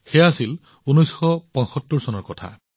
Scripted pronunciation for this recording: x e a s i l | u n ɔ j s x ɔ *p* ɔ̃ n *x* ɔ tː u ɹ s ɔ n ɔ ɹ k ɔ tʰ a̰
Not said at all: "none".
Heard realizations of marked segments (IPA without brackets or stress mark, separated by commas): p, s